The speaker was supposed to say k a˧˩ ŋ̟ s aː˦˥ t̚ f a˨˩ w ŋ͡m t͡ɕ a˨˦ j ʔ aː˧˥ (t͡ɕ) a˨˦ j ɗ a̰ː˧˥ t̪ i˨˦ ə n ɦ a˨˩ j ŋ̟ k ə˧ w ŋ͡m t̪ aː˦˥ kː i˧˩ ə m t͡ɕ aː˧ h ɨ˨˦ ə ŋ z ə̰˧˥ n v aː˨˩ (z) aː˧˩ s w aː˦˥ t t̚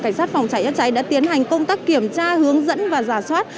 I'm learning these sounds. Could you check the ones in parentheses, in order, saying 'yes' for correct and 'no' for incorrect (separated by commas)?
yes, yes